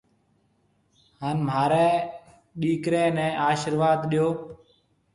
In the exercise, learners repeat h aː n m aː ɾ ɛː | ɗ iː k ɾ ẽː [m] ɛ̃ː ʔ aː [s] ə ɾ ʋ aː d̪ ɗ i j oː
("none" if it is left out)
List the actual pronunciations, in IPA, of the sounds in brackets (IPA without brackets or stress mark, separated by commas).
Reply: n, ʃ